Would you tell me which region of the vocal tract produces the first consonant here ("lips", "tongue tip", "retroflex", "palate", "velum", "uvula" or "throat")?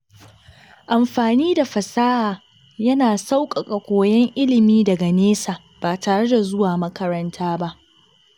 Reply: throat